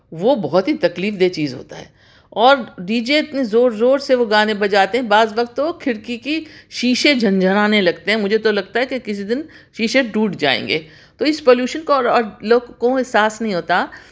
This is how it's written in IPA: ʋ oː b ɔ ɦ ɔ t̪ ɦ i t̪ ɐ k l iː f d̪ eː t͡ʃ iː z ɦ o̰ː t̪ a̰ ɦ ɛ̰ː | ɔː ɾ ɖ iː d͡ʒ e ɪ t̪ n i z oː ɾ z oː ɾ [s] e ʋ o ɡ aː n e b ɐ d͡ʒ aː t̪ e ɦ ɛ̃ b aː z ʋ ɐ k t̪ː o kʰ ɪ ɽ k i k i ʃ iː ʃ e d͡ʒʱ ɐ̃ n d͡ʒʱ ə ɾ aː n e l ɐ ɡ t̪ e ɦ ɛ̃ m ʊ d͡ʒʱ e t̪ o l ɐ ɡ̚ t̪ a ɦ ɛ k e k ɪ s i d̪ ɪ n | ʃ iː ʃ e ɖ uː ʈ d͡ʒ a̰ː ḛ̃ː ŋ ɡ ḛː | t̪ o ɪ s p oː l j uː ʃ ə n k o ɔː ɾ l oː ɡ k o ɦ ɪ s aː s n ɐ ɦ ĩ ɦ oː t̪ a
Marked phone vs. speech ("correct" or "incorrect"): correct